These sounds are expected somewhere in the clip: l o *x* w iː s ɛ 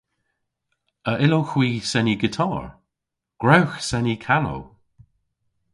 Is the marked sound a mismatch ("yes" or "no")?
no